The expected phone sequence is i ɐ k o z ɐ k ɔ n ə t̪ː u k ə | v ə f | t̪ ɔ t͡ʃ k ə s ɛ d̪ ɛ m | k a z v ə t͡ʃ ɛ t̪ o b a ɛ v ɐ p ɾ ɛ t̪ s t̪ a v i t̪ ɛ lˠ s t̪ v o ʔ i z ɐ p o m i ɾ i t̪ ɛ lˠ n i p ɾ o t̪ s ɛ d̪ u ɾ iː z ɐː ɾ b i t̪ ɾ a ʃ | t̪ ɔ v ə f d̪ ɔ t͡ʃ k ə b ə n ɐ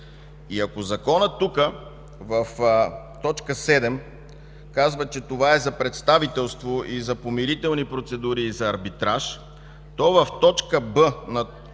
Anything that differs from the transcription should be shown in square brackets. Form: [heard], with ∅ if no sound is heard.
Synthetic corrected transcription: i ɐ k o z ɐ k ɔ n ə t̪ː u k ə | v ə f | t̪ ɔ t͡ʃ k ə s ɛ d̪ ɛ m | k a z v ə t͡ʃ ɛ t̪ o [v] a ɛ [z] ɐ p ɾ ɛ t̪ s t̪ a v i t̪ ɛ lˠ s t̪ v o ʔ i z ɐ p o m i ɾ i t̪ ɛ lˠ n i p ɾ o t̪ s ɛ d̪ u ɾ iː z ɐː ɾ b i t̪ ɾ a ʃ | t̪ ɔ v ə f [t̪] ɔ t͡ʃ k ə b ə n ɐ